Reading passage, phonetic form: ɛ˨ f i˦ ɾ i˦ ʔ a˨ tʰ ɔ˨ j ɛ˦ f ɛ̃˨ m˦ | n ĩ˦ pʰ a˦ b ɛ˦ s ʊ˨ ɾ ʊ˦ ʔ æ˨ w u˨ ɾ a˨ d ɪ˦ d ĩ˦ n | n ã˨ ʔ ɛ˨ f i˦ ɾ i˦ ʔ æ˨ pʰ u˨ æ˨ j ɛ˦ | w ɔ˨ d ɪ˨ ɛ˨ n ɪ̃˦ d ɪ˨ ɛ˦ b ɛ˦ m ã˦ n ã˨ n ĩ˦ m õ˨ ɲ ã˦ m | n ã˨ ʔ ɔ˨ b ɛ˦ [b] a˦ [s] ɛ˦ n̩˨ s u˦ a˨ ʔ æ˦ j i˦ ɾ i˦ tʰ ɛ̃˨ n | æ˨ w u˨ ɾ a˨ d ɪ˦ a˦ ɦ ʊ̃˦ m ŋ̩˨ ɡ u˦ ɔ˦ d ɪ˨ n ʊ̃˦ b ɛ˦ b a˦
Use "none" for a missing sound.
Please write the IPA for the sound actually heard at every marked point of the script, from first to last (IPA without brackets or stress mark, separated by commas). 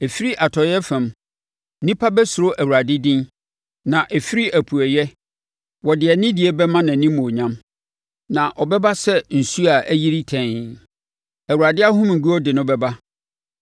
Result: b, s